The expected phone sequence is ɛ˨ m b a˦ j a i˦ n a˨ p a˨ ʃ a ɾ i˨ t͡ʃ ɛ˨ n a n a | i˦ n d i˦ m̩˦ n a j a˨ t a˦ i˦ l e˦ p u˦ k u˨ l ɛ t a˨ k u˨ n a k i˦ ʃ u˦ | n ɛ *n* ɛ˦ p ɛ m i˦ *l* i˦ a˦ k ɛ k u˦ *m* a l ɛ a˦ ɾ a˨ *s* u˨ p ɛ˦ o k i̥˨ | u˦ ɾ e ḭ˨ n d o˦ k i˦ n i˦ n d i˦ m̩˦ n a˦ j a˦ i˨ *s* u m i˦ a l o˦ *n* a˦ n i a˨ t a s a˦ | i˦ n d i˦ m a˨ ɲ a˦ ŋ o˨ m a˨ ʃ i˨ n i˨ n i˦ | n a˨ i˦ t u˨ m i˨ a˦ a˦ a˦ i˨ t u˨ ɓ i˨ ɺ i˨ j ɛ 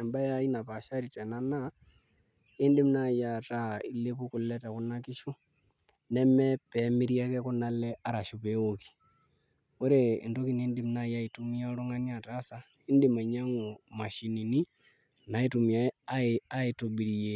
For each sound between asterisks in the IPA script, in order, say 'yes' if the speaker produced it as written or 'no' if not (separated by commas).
no, no, no, no, no, no